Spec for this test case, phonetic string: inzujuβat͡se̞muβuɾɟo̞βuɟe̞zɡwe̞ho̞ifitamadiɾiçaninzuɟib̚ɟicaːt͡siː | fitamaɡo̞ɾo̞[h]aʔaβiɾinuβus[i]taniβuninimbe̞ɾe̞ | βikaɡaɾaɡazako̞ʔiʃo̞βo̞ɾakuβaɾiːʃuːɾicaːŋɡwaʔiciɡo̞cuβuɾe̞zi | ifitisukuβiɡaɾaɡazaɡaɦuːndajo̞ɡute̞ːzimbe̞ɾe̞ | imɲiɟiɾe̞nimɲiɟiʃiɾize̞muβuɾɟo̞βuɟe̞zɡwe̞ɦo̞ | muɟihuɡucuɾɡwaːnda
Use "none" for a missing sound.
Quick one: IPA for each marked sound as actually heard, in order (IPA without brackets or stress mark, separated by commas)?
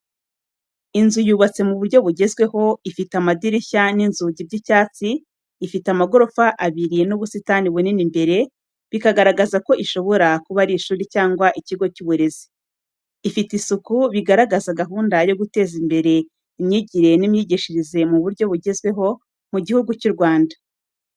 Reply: f, i